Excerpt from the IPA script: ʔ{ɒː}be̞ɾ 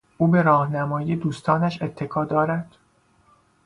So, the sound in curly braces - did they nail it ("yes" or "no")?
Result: no